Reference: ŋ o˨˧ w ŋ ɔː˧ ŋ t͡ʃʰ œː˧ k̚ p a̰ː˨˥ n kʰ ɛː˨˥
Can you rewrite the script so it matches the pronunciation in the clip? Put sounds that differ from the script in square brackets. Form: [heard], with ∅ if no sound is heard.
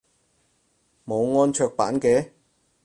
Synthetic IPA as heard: [m] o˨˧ w ŋ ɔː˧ [n] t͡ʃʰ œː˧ k̚ p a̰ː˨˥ n [k] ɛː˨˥